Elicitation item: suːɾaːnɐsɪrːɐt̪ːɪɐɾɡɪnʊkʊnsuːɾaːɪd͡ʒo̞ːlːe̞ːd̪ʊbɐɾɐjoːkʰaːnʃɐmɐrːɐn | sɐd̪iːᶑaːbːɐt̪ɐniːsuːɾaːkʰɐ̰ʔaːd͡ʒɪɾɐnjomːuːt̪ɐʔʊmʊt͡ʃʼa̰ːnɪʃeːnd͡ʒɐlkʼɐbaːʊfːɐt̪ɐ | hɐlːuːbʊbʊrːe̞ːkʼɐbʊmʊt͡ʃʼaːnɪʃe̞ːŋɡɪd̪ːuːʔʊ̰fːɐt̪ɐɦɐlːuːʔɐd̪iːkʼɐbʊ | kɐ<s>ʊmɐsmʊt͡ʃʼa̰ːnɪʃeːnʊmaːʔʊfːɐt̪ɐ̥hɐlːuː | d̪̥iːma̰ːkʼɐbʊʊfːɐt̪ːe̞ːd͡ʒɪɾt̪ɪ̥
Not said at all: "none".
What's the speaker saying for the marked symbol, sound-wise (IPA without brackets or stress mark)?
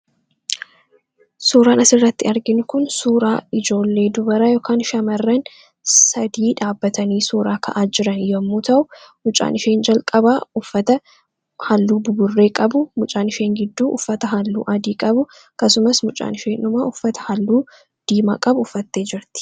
s